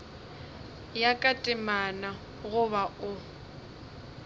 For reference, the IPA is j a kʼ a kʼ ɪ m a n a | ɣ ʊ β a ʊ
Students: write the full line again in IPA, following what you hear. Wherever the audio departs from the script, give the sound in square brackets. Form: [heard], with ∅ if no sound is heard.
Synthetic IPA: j a kʼ a [tʼ] ɪ m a n a | ɣ ʊ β a ʊ

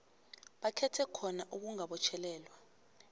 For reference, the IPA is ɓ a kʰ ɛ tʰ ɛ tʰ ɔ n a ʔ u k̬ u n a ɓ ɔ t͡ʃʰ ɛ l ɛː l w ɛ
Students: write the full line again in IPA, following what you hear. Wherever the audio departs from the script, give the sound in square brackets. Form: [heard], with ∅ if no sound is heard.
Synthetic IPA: ɓ a kʰ ɛ tʰ ɛ [kʰ] ɔ n a ʔ u k̬ u [ŋ] a ɓ ɔ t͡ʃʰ ɛ l ɛː l w [a]

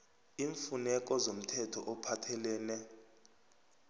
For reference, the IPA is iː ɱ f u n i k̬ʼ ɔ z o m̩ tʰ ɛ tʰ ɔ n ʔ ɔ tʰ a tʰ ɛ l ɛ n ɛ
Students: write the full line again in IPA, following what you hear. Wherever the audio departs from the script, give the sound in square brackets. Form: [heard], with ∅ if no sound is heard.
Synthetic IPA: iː ɱ f u n [ɛ] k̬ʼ ɔ z o m̩ tʰ ɛ tʰ ɔ [∅] ʔ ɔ [pʰ] a tʰ ɛ l [ɛː] n ɛ

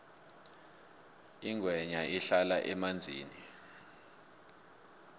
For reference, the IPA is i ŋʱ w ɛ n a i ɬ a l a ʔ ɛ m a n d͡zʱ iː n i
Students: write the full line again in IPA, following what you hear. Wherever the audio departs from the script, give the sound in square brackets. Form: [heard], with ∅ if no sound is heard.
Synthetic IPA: i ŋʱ w ɛ [ɲ] a i ɬ a l a ʔ ɛ m a n d͡zʱ iː n i

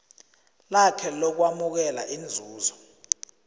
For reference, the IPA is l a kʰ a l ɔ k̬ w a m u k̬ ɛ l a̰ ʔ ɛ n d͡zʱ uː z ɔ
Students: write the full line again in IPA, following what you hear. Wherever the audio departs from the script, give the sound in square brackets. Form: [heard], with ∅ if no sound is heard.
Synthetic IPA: l a kʰ [ɛ] l ɔ k̬ w a m u k̬ ɛ l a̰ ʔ [i] n d͡zʱ uː z ɔ

